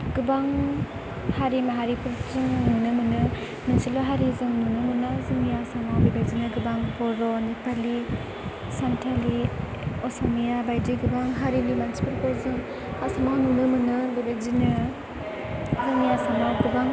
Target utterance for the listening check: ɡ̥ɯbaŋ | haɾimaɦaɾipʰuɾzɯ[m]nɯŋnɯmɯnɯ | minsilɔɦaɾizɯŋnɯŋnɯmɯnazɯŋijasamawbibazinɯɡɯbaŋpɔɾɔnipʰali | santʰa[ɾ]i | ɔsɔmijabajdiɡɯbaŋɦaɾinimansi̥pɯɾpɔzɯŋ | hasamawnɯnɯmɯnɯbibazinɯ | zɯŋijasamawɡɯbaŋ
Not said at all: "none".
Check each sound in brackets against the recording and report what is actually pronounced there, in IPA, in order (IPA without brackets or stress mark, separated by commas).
ŋ, l